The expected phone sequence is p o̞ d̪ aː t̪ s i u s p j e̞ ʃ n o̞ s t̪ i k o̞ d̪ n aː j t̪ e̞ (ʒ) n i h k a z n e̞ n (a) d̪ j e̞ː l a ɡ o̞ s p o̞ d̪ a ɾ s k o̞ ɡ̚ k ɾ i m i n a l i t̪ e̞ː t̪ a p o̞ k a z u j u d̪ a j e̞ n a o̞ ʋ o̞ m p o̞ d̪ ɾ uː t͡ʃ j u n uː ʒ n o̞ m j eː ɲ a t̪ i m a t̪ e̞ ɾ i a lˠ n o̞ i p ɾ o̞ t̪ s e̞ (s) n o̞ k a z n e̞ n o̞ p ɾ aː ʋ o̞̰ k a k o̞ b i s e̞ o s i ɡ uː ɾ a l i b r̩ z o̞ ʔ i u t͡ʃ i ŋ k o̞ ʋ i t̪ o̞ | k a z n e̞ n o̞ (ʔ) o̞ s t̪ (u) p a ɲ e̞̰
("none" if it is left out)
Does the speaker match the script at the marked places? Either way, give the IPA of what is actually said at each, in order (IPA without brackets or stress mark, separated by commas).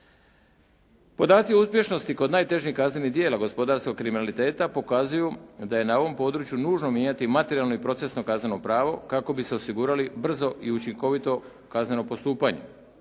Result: ʒ, i, s, p, uː